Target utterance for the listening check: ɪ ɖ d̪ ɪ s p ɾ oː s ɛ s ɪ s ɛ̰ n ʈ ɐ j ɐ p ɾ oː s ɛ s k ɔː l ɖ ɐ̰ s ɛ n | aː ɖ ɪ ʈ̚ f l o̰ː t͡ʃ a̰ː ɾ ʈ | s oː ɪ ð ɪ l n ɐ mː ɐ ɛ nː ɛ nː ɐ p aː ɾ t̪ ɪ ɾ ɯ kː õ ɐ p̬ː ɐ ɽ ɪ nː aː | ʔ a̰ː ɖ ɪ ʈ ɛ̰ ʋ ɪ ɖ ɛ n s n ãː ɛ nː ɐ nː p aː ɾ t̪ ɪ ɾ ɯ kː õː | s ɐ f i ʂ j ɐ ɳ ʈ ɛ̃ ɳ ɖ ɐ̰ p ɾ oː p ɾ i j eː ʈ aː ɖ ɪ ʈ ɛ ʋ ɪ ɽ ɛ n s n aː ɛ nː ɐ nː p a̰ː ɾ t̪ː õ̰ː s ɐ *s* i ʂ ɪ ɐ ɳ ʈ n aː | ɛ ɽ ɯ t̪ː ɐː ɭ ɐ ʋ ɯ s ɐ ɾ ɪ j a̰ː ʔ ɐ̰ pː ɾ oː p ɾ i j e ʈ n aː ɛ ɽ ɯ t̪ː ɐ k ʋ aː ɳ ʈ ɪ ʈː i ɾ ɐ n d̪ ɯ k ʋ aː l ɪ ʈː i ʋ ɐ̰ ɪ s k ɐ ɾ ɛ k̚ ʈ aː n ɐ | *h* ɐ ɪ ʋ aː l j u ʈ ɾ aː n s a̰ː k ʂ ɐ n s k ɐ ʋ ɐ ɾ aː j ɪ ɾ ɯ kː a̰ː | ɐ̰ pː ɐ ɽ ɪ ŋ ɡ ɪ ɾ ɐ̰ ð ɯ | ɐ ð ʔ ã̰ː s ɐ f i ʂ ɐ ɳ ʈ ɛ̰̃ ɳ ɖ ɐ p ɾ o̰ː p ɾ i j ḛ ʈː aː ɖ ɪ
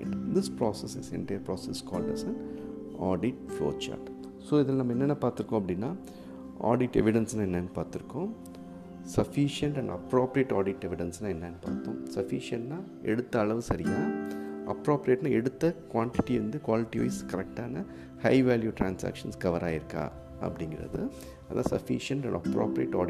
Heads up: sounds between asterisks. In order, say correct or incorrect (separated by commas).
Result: incorrect, correct